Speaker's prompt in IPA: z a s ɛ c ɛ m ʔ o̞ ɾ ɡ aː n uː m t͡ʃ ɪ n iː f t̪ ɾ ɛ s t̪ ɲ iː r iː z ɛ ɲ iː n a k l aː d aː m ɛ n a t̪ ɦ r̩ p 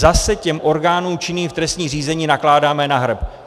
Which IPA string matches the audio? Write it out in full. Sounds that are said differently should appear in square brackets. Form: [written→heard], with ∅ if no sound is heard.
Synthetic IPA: z a s ɛ c ɛ m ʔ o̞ ɾ ɡ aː n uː m t͡ʃ ɪ n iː f t̪ ɾ ɛ s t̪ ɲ iː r iː z ɛ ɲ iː n a k l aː d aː m ɛ n a [t̪→∅] ɦ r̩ p